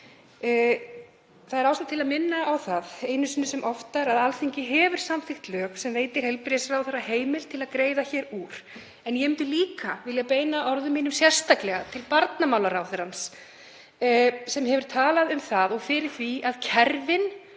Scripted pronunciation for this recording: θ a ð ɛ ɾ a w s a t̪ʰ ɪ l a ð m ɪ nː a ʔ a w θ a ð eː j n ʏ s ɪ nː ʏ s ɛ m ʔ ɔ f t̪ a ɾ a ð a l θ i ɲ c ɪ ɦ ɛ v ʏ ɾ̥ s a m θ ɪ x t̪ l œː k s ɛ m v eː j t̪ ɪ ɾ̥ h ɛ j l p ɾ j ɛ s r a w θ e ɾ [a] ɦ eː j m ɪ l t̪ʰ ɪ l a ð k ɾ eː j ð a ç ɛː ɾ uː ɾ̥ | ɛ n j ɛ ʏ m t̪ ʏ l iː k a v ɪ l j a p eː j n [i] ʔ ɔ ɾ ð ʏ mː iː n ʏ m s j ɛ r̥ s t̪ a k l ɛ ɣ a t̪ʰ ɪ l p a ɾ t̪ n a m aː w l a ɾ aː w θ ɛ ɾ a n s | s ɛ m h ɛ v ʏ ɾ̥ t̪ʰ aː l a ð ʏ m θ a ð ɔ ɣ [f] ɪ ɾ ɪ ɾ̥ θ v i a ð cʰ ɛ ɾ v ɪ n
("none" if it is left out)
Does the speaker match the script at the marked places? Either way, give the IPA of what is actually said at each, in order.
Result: a, a, f

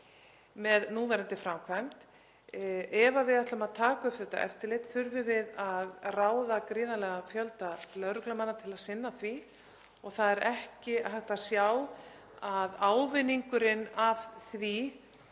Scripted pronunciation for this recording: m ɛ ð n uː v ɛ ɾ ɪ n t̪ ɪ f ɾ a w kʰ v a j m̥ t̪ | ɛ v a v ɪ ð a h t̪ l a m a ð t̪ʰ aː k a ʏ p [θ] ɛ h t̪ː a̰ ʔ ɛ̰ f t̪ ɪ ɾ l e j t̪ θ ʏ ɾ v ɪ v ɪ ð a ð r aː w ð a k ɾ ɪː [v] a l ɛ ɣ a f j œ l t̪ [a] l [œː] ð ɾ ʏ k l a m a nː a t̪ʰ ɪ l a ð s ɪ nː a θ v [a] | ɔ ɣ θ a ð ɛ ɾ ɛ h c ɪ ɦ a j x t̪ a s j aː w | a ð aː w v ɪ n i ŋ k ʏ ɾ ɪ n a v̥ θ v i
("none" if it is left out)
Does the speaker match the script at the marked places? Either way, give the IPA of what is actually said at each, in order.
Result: θ, ð, a, œ, i

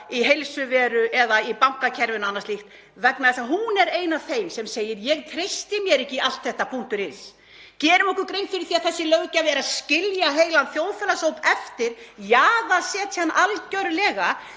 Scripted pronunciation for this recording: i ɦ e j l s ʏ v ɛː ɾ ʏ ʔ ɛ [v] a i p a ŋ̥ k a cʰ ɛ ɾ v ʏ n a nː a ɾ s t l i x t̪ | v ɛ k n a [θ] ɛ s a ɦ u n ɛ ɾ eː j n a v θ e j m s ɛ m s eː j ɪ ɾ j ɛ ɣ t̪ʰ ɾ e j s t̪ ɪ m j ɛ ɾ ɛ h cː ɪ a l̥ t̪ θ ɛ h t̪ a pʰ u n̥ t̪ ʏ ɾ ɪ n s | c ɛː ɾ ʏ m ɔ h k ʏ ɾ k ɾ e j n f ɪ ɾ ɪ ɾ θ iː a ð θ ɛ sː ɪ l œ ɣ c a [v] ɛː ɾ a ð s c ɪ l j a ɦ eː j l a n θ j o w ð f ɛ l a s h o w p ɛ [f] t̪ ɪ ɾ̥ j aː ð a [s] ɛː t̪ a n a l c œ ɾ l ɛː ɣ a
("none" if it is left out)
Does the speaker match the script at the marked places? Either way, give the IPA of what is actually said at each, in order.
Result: ð, ð, v, f, s

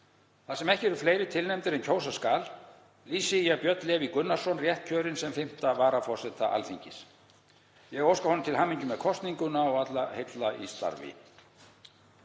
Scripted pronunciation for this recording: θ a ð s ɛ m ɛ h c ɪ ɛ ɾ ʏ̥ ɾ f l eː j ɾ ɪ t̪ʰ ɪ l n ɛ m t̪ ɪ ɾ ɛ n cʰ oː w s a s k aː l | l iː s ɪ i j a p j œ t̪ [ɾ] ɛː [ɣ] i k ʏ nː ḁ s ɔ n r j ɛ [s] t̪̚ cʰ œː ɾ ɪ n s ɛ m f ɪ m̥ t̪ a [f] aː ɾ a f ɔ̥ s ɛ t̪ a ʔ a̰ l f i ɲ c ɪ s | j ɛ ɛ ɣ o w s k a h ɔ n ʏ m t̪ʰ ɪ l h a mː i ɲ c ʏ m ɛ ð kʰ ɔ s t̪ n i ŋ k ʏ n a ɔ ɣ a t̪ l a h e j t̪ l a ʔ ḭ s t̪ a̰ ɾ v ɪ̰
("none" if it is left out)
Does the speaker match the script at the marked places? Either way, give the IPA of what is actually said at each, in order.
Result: l, v, h, v

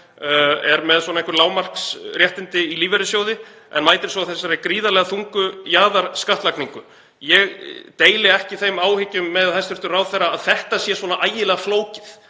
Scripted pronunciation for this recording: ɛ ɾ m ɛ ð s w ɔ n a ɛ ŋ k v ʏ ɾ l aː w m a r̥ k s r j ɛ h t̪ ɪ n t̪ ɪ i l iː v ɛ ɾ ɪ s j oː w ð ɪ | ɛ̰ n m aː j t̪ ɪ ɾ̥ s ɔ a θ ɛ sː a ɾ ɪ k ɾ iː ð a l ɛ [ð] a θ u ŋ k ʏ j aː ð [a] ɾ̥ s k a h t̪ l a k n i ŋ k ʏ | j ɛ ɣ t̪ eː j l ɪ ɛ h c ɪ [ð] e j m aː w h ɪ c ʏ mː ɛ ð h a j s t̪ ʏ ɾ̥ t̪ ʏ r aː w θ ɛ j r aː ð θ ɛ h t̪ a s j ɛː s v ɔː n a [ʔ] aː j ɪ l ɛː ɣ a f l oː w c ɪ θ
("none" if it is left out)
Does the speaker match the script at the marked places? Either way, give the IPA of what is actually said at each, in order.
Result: ɣ, a, θ, ʔ

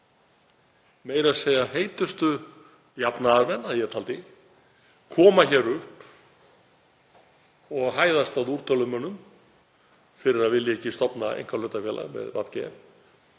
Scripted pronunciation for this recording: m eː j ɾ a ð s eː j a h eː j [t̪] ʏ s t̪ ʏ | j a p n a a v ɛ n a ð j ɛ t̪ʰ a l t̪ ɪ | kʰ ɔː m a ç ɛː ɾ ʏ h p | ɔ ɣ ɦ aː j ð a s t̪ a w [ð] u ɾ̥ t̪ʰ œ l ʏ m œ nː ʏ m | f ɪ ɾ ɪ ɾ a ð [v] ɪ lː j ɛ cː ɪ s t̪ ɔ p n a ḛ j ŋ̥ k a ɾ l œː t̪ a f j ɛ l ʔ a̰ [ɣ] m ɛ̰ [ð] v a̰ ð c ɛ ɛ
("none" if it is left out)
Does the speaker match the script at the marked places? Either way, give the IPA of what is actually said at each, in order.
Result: t̪, ð, v, ɣ, ð

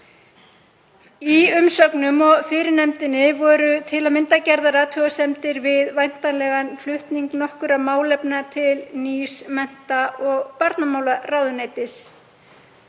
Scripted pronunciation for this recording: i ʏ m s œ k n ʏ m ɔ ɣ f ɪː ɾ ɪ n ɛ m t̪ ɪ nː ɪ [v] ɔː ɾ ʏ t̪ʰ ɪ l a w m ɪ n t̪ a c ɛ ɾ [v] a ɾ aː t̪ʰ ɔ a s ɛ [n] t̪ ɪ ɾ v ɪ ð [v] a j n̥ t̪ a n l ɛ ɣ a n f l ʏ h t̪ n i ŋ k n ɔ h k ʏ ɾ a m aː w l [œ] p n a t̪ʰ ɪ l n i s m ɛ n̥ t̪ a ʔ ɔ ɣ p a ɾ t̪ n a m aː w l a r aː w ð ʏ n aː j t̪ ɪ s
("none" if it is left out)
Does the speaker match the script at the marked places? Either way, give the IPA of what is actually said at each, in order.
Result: v, ð, m, v, ɛ

